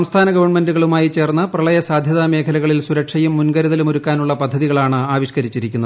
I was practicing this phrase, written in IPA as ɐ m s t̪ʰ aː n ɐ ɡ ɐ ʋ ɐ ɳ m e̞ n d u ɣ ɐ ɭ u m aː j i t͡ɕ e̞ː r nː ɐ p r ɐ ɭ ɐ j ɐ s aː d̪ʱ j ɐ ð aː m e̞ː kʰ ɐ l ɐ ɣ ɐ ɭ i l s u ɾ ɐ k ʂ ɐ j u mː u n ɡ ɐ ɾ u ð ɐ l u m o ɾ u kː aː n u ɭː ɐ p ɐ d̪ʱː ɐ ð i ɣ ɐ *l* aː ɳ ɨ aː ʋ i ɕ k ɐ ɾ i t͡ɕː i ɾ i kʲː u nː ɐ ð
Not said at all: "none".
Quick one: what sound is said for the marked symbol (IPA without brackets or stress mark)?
ɭ